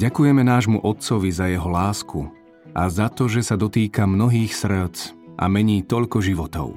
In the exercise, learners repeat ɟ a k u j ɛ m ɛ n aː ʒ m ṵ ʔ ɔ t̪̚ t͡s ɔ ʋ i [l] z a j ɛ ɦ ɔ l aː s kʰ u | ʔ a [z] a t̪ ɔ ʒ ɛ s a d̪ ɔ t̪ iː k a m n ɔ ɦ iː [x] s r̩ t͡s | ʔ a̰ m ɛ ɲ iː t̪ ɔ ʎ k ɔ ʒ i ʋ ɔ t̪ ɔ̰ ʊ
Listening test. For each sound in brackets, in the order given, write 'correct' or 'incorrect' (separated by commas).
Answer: incorrect, correct, correct